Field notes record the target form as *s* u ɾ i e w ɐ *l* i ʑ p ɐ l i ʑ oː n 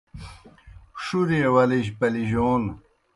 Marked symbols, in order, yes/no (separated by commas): no, yes